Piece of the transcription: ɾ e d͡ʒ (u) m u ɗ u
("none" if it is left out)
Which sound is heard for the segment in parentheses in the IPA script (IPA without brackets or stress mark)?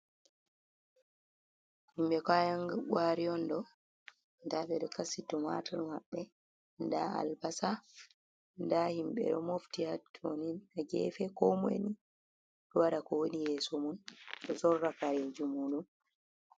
u